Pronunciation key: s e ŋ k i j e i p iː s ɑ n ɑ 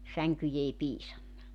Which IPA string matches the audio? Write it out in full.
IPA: s æ ŋ k y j e i p iː s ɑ nː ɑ